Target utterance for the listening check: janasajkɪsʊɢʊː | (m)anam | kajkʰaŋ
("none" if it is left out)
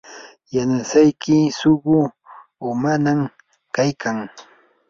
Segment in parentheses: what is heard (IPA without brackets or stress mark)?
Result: m